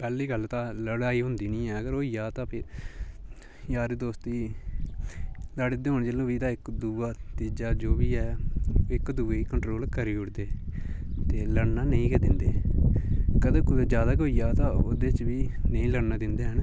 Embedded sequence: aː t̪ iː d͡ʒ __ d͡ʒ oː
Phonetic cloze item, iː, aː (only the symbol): aː